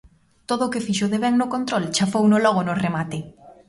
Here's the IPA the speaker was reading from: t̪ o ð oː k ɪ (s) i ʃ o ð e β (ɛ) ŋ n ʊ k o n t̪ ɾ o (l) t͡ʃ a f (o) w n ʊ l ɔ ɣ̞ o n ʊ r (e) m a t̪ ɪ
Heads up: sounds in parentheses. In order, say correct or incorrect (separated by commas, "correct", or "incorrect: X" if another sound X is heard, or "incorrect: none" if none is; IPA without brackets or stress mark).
incorrect: f, correct, correct, correct, correct